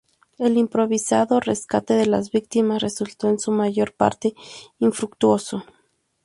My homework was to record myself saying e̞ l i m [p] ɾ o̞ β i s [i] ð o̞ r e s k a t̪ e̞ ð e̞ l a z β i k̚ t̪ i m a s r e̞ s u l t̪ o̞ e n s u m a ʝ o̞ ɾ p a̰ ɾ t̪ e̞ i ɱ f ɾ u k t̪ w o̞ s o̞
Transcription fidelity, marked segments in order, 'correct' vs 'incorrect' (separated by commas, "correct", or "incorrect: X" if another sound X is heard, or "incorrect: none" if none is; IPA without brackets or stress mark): correct, incorrect: a